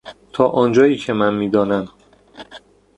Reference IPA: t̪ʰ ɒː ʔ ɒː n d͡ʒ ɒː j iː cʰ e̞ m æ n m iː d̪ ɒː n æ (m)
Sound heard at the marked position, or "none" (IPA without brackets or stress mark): m